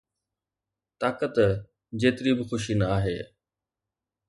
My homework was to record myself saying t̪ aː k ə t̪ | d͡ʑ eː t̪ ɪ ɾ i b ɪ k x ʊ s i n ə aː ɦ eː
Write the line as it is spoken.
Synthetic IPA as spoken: t̪ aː k ə t̪ | d͡ʑ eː t̪ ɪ ɾ i b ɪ x ʊ ʃ i n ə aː ɦ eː